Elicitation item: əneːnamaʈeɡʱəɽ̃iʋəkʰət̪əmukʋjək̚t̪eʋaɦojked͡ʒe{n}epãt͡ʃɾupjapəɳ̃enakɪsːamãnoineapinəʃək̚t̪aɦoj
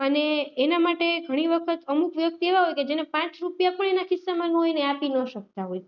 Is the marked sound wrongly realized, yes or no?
no